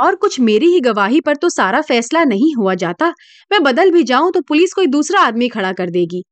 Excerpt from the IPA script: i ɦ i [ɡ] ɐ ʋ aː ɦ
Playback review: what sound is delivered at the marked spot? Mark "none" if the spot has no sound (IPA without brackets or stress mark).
ɡ